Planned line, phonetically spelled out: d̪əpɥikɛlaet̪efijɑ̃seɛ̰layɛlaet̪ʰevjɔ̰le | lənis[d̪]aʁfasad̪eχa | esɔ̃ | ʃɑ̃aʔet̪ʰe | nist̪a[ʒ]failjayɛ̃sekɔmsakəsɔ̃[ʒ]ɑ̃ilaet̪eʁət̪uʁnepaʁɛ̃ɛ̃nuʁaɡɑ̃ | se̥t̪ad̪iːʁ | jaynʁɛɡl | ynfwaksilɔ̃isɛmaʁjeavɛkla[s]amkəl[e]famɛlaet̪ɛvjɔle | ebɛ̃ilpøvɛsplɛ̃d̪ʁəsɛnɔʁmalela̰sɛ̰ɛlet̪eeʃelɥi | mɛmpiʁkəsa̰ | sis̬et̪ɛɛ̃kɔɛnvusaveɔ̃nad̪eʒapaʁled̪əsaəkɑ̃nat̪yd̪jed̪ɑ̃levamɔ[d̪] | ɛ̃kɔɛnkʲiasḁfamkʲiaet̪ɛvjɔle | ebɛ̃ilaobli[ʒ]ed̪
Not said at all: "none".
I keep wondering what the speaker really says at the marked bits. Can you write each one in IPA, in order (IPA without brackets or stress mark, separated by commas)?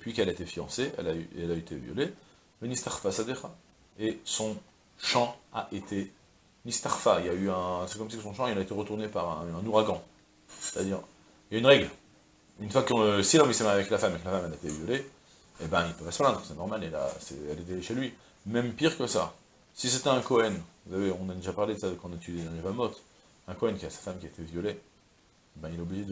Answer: t̪, ʁ, ʃ, f, a, t̪, ʒ